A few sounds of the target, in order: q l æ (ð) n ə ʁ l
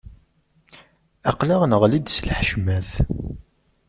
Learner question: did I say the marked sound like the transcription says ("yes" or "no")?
no